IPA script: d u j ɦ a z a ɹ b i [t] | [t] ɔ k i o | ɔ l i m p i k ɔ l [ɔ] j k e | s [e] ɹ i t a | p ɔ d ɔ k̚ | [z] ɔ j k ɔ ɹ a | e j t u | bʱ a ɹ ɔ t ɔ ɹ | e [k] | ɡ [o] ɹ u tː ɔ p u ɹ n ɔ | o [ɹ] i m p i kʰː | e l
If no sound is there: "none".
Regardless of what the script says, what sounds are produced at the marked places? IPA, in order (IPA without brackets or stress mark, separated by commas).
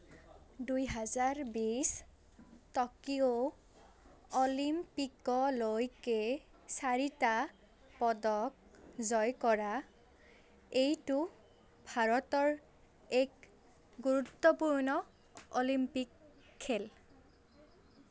s, t, o, a, z, k, u, l